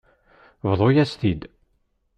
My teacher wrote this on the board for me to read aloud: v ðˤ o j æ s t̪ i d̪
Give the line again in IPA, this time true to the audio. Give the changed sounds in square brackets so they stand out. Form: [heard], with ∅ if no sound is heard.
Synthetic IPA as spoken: v ðˤ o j æ s t̪ i d̪